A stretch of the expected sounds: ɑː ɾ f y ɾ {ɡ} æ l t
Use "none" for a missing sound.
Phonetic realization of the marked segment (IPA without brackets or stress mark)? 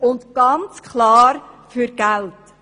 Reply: ɡ